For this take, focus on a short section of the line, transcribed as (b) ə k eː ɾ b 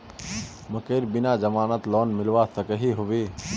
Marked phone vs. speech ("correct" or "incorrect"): incorrect